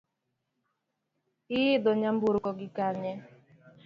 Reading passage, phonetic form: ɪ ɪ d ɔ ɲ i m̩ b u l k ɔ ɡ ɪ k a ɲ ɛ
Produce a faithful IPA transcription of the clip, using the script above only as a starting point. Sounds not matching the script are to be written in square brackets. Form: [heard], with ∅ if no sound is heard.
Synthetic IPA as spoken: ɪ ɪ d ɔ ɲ [a] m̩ b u [ɾ] k ɔ ɡ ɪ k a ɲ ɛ